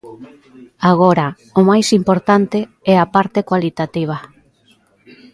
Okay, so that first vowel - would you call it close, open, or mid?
open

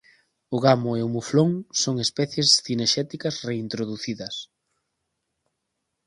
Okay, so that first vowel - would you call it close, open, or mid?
close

